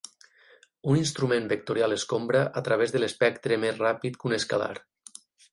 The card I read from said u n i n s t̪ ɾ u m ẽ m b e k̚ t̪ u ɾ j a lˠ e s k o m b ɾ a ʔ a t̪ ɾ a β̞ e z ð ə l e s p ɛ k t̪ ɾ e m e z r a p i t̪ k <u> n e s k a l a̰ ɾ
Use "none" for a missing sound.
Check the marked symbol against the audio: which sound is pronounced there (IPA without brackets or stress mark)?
u